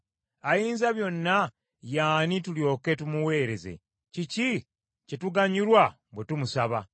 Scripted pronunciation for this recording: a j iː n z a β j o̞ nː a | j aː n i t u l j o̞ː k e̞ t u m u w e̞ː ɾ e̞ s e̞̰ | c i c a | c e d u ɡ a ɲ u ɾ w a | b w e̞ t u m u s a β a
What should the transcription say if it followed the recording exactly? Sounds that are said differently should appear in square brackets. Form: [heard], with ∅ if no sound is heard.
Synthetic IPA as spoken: a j iː n z a β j o̞ nː a | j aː n i t u l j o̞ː k e̞ t u m u w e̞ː ɾ e̞ [z] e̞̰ | c i c [i] | c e [t] u ɡ a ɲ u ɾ w a | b w e̞ t u m u s a β a